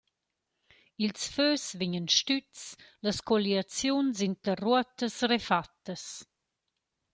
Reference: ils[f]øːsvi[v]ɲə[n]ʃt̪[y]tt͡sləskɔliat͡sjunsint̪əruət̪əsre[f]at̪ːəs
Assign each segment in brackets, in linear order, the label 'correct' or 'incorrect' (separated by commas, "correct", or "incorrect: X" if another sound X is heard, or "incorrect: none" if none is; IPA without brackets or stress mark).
correct, incorrect: none, correct, correct, correct